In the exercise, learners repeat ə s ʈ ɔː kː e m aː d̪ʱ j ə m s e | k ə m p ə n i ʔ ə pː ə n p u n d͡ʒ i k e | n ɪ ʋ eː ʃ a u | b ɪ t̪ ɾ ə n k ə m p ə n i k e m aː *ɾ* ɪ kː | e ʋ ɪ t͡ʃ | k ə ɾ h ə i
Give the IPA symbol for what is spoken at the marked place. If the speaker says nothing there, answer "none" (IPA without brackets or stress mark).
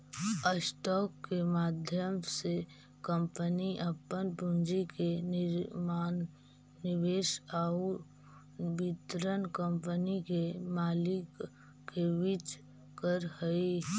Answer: l